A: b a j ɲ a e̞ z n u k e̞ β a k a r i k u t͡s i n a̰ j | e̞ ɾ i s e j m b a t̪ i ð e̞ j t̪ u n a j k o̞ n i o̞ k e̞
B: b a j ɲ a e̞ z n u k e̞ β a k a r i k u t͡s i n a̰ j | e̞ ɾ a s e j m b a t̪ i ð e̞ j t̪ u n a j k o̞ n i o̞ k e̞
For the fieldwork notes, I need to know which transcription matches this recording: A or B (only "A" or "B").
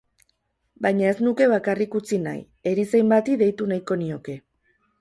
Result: A